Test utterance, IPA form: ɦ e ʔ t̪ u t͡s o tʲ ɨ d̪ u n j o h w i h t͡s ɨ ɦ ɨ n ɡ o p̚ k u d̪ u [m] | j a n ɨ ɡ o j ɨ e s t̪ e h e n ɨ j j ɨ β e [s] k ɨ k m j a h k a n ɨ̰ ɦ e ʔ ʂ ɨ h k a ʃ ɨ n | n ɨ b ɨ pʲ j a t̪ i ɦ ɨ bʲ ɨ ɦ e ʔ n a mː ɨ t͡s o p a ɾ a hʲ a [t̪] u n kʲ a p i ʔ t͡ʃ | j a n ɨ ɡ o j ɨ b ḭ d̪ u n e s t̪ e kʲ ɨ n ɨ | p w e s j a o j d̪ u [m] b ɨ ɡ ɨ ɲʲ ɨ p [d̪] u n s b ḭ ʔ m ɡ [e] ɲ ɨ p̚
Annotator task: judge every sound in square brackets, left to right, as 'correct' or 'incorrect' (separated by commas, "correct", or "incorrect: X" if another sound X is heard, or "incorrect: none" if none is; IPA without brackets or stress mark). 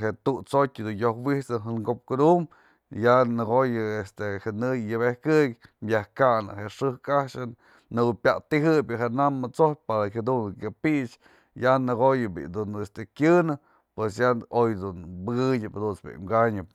correct, incorrect: h, incorrect: d̪, incorrect: n, correct, incorrect: a